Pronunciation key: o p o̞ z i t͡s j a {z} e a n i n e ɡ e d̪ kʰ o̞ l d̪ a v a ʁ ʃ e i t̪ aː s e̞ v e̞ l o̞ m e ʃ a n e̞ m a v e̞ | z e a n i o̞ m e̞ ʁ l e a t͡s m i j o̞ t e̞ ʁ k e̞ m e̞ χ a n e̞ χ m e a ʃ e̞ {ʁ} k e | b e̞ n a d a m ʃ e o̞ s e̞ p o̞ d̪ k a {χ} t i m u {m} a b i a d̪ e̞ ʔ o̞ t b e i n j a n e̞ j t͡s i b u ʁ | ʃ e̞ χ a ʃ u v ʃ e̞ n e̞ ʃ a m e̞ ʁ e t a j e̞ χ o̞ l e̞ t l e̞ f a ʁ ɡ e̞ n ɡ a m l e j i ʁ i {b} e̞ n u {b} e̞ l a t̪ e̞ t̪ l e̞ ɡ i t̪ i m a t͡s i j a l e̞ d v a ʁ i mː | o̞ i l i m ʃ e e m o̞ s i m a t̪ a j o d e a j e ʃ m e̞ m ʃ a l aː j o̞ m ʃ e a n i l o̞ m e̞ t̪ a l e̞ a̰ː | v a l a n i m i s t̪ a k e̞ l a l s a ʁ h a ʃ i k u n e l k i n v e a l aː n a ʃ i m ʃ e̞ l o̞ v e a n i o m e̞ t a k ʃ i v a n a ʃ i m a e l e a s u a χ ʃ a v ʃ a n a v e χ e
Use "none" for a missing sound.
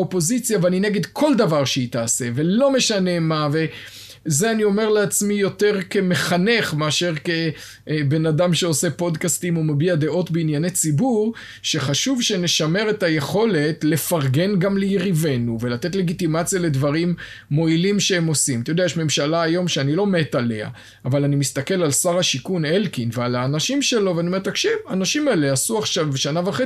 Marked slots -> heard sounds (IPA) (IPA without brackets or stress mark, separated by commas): v, ʁ, s, m, v, v